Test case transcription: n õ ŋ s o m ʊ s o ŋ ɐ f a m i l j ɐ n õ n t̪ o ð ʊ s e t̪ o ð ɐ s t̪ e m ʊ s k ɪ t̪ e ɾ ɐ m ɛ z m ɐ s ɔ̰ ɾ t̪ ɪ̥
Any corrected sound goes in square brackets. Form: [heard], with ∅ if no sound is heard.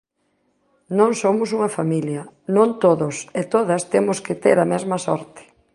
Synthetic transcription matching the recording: n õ ŋ s o m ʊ s [u] ŋ ɐ f a m i l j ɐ n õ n t̪ o ð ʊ s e t̪ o ð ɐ s t̪ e m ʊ s k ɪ t̪ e ɾ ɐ m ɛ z m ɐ s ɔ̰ ɾ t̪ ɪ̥